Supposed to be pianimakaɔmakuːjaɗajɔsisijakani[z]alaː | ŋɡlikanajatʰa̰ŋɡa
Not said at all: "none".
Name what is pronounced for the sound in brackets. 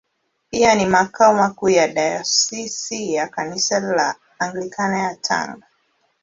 s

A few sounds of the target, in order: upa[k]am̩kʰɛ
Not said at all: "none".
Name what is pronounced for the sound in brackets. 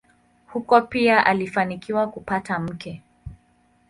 t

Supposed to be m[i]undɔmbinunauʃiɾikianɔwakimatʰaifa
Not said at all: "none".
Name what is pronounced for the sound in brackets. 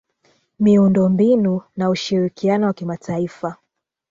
i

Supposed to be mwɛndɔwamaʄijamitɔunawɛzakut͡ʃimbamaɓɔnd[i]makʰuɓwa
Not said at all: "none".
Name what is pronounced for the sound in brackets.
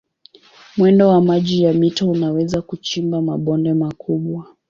ɛ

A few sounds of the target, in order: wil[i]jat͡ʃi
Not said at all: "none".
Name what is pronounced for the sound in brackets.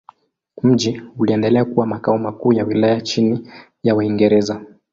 a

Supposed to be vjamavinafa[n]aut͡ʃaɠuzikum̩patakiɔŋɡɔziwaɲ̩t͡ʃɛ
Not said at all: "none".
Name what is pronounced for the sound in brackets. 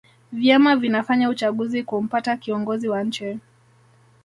ɲ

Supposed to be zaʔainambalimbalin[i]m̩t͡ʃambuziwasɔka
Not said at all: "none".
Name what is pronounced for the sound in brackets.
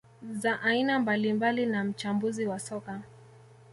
a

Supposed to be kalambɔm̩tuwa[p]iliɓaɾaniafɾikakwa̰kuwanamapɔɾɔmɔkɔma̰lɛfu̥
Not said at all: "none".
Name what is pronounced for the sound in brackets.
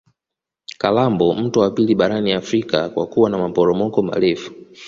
p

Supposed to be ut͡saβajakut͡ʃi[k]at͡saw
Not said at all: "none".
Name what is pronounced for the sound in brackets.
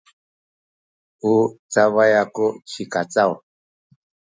k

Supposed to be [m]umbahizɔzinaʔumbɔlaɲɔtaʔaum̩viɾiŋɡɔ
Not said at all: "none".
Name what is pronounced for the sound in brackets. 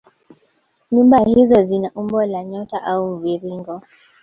ɲ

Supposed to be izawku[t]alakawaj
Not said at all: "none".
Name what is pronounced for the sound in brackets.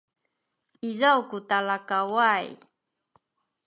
t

